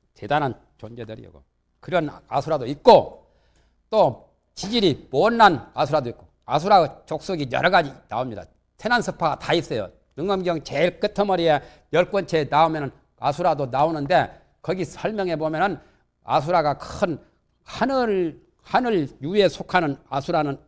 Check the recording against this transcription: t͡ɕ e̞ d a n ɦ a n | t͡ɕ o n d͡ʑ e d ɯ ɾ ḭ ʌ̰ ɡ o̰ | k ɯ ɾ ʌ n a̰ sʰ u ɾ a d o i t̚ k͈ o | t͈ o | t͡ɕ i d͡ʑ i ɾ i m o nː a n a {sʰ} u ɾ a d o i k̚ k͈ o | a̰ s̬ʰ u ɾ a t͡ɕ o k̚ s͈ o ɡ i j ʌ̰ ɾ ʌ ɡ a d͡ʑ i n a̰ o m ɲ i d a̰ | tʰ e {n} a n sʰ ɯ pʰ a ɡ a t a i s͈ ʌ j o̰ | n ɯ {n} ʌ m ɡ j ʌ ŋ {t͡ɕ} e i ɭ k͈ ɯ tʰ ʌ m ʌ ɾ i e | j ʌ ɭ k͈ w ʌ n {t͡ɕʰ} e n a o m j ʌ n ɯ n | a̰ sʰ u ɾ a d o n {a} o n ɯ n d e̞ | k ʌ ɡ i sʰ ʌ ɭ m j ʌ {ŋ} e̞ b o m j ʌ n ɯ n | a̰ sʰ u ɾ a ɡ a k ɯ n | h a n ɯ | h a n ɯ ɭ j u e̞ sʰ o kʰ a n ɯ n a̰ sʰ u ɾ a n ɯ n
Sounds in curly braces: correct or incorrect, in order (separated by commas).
correct, correct, incorrect, correct, correct, correct, correct